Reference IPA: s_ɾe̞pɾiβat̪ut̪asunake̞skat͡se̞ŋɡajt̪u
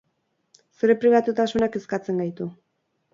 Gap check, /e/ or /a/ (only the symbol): e